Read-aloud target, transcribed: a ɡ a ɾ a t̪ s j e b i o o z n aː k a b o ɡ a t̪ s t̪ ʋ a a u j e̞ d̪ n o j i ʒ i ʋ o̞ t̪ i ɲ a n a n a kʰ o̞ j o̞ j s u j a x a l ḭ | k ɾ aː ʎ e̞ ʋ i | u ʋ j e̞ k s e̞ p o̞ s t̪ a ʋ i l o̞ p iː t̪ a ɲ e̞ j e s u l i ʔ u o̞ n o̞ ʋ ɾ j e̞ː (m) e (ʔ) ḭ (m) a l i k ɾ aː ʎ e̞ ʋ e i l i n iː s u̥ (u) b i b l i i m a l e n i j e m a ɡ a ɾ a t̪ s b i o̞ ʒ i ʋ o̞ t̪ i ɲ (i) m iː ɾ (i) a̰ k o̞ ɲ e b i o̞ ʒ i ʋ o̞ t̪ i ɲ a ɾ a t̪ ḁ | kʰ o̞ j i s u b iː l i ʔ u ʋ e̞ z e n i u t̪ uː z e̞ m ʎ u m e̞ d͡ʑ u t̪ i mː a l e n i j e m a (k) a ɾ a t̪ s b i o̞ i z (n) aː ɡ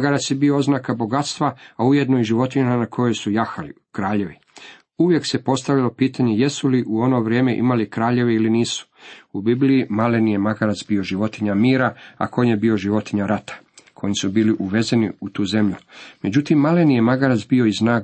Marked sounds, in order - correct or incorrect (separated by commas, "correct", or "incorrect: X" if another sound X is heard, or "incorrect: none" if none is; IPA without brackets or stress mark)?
correct, correct, correct, correct, incorrect: a, incorrect: a, incorrect: ɡ, correct